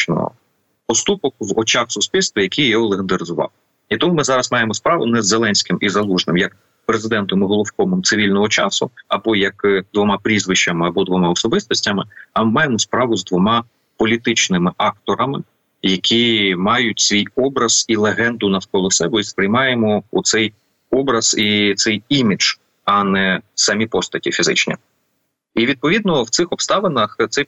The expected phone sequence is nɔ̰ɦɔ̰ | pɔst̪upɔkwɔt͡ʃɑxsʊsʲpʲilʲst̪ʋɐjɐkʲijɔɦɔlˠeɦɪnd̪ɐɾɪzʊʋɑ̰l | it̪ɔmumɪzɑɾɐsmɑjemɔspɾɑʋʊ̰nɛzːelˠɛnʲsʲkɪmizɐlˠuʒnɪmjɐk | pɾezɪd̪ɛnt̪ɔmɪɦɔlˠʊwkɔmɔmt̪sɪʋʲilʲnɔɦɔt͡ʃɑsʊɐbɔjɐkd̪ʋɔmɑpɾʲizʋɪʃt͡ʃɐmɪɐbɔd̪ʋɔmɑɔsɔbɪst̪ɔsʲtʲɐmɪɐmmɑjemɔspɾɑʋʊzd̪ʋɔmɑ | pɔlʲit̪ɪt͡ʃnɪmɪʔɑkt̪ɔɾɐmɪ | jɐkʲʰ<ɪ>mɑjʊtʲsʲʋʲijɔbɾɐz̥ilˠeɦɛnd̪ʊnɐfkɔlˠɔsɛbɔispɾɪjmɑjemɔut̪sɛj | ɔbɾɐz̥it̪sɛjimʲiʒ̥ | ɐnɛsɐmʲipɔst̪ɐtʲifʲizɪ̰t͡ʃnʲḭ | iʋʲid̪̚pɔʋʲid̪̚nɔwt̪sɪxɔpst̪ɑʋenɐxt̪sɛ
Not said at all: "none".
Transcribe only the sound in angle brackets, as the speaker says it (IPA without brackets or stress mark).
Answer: i